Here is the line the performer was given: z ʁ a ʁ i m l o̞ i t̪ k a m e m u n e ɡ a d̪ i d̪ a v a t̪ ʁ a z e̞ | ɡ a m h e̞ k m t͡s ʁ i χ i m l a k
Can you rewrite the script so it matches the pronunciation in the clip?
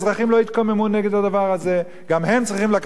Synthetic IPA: z ʁ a χ i m l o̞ i t̪ k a m e m u n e ɡ e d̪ a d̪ a v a ʁ a z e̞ | ɡ a m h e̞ m t͡s ʁ i χ i m l a k